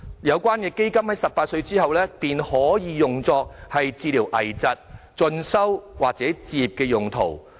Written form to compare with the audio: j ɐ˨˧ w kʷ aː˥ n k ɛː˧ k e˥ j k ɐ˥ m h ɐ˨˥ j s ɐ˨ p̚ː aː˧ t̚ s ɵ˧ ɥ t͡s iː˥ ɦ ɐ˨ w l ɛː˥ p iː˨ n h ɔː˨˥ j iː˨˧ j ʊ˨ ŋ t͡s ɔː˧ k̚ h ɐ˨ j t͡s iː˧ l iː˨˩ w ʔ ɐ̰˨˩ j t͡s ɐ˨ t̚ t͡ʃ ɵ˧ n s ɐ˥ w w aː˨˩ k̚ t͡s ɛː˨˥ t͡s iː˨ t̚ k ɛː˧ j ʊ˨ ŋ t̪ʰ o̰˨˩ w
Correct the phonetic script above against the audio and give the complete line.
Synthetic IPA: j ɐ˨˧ w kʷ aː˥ n k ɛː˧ k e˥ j k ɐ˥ m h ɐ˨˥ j s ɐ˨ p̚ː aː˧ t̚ s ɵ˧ ɥ t͡s iː˥ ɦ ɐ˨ w l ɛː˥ p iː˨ n h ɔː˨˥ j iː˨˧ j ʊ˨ ŋ t͡s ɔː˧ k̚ h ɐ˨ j t͡s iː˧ l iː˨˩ w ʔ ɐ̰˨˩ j t͡s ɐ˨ t̚ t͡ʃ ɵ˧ n s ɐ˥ w w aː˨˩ k̚ t͡s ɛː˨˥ t͡s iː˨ p̚ k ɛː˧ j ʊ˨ ŋ t̪ʰ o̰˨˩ w

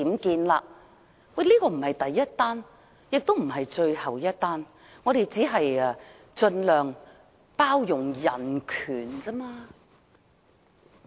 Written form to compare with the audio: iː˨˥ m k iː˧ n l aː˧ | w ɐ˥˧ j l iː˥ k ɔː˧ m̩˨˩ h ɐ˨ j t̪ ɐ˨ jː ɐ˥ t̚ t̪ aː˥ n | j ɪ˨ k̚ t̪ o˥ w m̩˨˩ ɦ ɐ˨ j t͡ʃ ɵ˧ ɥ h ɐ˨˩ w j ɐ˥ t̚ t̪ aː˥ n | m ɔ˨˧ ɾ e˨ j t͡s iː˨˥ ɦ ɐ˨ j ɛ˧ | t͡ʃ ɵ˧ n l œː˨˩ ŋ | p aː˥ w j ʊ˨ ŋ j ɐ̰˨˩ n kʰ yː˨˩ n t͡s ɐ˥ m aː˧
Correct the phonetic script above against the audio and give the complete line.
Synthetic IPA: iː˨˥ m k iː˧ n l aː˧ | w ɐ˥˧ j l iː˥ k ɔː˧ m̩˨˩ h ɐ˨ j t̪ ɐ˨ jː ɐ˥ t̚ t̪ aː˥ n | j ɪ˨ k̚ t̪ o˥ w m̩˨˩ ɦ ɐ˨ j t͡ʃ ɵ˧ ɥ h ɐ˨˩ w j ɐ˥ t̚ t̪ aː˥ n | ŋ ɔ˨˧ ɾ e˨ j t͡s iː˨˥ ɦ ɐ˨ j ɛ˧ | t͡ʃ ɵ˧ n l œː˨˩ ŋ | p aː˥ w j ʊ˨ ŋ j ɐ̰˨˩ n kʰ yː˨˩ n t͡s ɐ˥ m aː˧

